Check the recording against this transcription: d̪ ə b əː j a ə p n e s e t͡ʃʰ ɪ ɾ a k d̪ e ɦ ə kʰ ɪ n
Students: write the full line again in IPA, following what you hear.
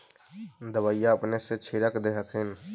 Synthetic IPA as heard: d̪ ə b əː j a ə p n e s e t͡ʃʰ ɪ ɾ ə k d̪ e ɦ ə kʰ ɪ n